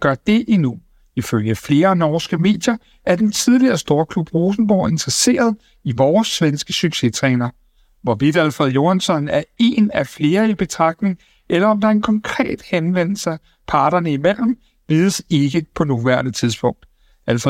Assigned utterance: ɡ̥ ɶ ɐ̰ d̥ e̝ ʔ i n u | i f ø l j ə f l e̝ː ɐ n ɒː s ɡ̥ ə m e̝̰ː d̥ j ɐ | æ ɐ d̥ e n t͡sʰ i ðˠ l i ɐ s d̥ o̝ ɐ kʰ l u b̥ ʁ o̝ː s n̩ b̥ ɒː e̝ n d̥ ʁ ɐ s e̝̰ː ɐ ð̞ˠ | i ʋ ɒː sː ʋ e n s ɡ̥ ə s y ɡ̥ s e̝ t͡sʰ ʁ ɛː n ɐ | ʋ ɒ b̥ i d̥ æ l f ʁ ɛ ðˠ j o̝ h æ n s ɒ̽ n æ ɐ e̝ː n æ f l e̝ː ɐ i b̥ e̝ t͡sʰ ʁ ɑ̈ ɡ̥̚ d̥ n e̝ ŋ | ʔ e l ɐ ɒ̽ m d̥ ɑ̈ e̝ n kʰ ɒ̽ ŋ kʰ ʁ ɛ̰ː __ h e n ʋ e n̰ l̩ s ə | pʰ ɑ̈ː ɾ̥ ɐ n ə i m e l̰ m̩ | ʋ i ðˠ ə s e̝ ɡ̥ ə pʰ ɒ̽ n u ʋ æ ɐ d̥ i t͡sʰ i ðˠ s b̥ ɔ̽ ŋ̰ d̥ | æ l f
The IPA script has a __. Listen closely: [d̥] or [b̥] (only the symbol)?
d̥